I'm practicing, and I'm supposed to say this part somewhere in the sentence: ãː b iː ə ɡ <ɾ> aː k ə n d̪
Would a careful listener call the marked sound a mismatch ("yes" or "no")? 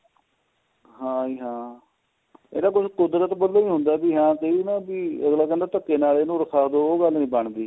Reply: yes